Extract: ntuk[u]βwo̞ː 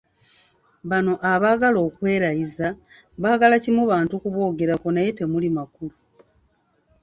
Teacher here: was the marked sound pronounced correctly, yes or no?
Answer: yes